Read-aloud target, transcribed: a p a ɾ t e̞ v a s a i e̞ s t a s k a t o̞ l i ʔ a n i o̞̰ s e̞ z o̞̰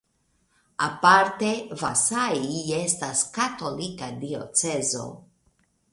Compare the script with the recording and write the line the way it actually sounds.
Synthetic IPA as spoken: a p a ɾ t e̞ v a s a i e̞ s t a s k a t o̞ l i k a d i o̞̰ t͡s e̞ z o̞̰